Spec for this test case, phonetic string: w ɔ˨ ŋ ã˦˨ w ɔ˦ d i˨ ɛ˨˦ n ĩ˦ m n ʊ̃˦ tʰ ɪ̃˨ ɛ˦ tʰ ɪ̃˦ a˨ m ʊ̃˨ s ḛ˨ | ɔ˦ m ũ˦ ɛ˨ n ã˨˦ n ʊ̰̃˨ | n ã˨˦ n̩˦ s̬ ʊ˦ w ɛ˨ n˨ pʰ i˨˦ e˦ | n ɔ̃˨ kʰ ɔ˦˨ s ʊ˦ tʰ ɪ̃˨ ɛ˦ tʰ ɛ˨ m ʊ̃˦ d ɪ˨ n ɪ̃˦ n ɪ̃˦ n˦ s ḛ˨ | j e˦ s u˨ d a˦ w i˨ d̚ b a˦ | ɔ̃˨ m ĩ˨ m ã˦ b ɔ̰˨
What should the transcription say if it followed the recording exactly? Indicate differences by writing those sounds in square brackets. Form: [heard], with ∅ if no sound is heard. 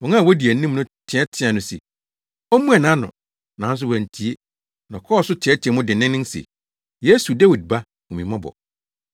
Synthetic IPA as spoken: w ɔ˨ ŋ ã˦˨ w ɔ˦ d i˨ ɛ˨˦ n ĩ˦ m n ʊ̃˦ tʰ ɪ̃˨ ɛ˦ tʰ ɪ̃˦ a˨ [n] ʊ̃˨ s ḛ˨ | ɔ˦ m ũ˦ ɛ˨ n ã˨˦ n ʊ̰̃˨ | n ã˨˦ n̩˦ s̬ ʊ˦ w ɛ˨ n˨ [tʰ] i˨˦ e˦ | n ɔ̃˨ kʰ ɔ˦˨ s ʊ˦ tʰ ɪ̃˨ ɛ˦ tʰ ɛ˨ m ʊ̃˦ d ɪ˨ n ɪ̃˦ n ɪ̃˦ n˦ s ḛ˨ | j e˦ s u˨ d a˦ w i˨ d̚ b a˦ | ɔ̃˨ m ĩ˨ m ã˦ b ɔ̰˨